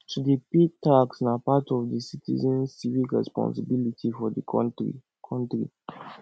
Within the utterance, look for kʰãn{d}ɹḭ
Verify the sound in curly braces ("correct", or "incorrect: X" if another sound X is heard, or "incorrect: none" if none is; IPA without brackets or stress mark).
incorrect: t